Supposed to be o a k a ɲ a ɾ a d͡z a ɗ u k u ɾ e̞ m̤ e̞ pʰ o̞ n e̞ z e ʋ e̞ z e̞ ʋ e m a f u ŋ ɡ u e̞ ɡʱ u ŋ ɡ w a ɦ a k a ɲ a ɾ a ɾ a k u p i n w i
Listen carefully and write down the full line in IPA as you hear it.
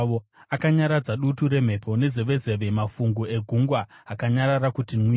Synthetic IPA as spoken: o a k a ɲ a ɾ a d͡z a ɗ u t u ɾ e̞ m̤ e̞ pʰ o̞ n e̞ z e ʋ e̞ z e̞ ʋ e m a f u ŋ ɡ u e̞ ɡʱ u ŋ ɡ w a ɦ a k a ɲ a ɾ a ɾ a k u t i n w i